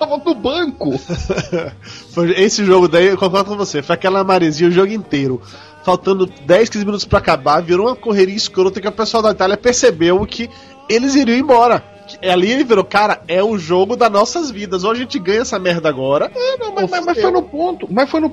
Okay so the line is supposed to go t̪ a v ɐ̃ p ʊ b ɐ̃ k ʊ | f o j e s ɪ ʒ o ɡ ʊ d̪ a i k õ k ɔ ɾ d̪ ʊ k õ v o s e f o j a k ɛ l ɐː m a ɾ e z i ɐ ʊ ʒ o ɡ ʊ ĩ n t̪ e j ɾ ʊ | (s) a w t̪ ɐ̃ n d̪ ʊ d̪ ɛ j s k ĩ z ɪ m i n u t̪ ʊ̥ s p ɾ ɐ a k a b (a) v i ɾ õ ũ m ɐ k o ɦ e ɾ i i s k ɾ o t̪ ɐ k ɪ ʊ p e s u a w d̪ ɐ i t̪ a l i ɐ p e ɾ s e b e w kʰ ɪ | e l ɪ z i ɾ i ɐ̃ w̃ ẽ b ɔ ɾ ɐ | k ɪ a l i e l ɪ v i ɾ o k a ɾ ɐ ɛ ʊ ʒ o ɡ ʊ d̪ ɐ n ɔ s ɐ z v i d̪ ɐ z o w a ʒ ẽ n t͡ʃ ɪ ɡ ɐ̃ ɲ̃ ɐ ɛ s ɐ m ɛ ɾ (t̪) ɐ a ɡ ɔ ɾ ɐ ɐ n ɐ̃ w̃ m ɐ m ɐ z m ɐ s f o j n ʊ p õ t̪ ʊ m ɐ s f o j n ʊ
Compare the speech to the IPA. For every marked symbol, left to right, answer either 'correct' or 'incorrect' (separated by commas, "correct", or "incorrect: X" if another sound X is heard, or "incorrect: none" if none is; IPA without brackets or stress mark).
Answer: incorrect: f, correct, incorrect: d̪